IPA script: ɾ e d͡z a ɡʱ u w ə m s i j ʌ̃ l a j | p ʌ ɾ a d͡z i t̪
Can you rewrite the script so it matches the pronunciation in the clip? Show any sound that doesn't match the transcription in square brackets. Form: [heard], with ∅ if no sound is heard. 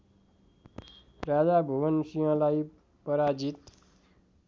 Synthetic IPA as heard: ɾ [a] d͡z a [bʱ] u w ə [n] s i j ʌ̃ l a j | p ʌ ɾ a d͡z i t̪